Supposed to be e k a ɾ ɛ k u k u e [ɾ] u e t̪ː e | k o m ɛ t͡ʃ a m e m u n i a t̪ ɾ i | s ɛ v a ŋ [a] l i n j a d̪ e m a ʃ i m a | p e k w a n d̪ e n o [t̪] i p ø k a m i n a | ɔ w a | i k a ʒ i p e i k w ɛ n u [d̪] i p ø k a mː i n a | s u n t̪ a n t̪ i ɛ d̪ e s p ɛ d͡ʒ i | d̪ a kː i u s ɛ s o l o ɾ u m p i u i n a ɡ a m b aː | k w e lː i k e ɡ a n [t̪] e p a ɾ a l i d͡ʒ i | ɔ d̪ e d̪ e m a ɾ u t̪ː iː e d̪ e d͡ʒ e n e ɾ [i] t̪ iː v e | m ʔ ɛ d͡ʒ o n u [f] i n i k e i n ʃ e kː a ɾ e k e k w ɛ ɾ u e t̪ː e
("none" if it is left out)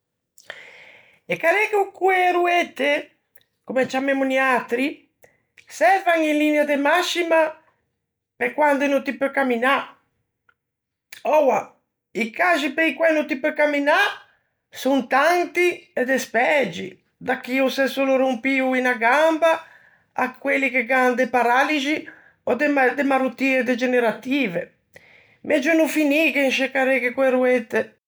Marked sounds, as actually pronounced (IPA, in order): ɾ, i, t̪, t̪, d̪, a, f

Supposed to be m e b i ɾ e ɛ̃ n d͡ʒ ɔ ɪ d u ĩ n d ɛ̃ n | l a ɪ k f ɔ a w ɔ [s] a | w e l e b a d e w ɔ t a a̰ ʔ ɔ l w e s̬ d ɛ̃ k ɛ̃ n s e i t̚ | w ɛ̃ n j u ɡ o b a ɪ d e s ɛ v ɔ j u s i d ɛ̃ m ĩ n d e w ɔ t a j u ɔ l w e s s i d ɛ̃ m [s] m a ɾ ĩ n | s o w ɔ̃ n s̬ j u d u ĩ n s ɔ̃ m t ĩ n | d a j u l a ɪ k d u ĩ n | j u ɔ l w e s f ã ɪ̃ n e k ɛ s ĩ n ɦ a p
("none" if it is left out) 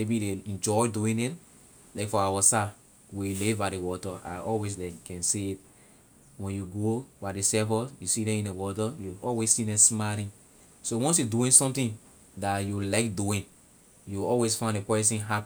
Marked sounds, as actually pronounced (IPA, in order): s, s

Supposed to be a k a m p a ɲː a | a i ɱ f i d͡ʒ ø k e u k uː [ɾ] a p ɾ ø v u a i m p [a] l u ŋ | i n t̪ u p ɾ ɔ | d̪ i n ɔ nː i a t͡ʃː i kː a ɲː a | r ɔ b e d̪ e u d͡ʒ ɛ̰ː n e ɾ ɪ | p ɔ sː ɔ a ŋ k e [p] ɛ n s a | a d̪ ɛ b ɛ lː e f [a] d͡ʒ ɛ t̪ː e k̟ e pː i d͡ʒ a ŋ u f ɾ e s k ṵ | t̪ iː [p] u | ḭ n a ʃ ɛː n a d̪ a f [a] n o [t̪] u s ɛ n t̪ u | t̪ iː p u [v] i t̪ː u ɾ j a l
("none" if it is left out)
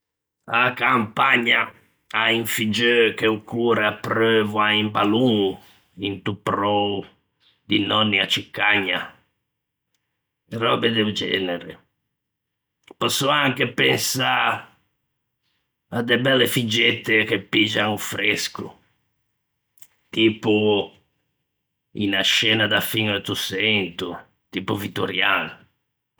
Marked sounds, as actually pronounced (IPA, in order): ɾ, a, p, i, p, i, t̪, v

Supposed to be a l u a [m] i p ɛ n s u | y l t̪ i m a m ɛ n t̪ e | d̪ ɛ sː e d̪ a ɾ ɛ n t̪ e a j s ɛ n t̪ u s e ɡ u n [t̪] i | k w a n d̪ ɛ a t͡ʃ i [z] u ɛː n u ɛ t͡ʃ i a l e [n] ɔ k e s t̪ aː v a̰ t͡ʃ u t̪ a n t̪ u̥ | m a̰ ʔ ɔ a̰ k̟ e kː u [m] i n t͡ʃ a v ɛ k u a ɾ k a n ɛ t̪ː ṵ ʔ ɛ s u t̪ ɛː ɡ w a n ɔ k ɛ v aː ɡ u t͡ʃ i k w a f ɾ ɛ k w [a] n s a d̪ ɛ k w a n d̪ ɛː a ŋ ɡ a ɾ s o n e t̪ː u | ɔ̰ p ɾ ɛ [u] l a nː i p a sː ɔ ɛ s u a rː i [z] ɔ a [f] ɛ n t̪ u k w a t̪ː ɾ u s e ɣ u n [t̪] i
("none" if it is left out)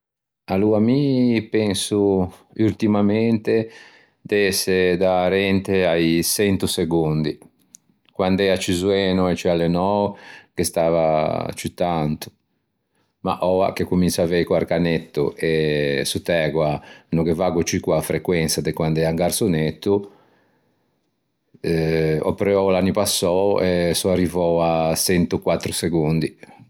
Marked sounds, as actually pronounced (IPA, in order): m, d̪, z, n, m, ɛ, ɔ, v, s, d̪

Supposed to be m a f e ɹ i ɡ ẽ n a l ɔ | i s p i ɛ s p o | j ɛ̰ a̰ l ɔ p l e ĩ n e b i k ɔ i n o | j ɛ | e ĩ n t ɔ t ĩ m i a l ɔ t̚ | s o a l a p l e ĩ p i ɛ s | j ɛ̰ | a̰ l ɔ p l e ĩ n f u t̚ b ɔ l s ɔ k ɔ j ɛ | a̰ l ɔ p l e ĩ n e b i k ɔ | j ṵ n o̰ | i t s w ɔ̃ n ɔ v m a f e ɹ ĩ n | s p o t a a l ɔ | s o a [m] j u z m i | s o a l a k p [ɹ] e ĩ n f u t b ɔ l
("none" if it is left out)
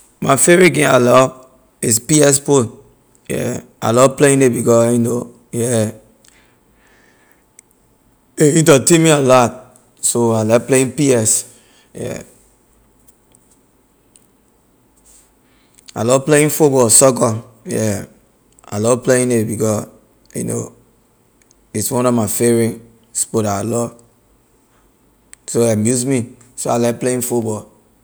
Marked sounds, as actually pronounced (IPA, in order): m, l

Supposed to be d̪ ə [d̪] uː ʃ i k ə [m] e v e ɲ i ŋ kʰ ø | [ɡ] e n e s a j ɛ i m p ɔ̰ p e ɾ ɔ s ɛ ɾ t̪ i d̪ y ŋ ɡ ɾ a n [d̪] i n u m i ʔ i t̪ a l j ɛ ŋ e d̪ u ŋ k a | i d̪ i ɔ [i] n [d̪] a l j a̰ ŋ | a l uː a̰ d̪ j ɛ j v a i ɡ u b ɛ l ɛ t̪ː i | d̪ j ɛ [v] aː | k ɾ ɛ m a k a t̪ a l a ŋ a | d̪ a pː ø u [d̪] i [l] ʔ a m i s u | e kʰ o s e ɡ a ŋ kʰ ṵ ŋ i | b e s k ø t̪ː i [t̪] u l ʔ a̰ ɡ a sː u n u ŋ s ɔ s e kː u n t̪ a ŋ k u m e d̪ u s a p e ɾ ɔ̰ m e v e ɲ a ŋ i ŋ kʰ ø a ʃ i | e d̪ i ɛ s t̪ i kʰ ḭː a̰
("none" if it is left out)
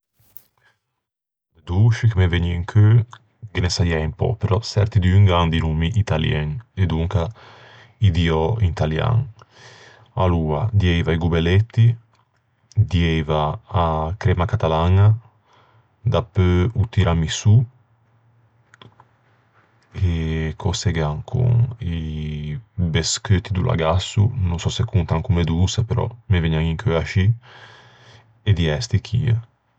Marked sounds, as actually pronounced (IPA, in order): d̪, m, ɡ, d̪, i, t̪, v, t̪, ɾ, d̪

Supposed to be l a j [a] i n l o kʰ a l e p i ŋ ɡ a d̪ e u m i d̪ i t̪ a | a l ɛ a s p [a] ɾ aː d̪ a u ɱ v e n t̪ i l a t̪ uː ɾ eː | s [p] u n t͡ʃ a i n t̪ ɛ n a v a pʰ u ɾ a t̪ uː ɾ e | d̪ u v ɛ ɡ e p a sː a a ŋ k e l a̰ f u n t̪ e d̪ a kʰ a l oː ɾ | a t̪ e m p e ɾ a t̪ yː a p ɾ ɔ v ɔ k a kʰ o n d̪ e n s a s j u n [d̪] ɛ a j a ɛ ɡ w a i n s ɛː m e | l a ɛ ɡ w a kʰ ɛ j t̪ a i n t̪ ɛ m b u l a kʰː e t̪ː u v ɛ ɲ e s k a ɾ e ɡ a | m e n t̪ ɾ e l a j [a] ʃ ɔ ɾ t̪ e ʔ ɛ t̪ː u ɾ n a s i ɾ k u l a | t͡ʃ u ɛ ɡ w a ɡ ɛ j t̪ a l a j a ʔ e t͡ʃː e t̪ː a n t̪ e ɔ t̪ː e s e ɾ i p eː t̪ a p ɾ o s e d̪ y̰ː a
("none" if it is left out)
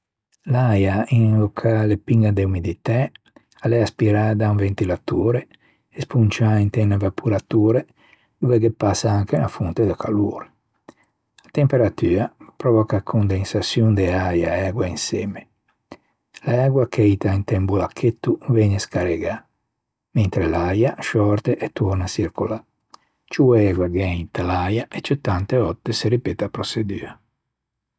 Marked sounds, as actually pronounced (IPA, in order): a, i, p, d̪, a

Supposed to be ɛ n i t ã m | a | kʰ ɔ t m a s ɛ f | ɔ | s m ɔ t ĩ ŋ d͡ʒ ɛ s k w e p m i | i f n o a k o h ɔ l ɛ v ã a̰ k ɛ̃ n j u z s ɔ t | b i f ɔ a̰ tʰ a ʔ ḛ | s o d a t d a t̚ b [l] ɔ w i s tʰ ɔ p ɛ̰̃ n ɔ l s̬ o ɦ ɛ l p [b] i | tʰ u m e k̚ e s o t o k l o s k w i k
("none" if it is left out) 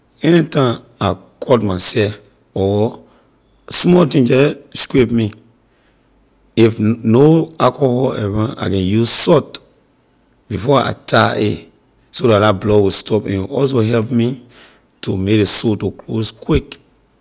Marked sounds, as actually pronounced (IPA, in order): l, m

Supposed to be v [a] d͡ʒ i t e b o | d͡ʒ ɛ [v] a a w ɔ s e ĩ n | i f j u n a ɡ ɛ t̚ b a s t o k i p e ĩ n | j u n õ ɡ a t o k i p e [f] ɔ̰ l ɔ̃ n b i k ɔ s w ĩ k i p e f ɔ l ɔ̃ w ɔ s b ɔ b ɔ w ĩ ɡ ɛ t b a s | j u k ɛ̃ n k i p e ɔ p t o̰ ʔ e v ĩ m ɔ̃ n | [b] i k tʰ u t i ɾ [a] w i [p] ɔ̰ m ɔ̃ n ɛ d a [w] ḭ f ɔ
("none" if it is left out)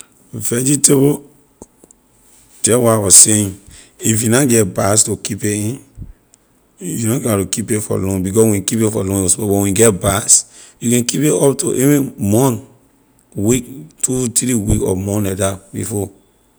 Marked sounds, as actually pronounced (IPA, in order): ɛ, w, f, w, i, k, b

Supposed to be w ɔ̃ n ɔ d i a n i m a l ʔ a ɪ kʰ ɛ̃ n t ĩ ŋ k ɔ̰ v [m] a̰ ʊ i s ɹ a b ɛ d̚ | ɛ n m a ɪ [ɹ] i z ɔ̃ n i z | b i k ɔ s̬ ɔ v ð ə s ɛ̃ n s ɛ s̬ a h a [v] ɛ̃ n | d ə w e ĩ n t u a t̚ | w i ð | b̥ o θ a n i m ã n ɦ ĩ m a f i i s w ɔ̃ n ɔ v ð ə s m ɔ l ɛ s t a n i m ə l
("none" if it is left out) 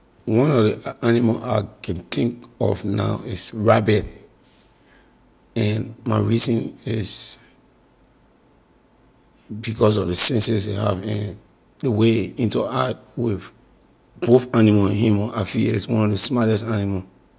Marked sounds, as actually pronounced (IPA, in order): n, ɹ, v

